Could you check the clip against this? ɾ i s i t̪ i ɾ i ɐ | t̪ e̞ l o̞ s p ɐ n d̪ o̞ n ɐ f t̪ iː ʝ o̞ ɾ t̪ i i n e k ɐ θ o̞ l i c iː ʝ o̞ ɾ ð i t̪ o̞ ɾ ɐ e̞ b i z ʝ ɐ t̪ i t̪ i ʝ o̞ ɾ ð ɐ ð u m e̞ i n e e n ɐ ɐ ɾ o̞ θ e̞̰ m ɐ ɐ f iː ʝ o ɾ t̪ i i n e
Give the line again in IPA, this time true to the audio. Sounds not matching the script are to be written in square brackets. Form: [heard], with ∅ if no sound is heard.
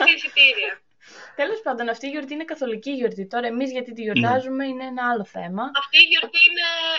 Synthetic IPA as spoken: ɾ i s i t̪ i ɾ i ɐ | t̪ e̞ l o̞ s p ɐ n d̪ o̞ n ɐ f t̪ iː ʝ o̞ ɾ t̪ i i n e k ɐ θ o̞ l i c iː ʝ o̞ ɾ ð i t̪ o̞ ɾ ɐ e̞ [m] i z ʝ ɐ t̪ i t̪ i ʝ o̞ ɾ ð ɐ [z] u m e̞ i n e e n ɐ ɐ [l] o̞ θ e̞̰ m ɐ ɐ f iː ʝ o ɾ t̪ i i n e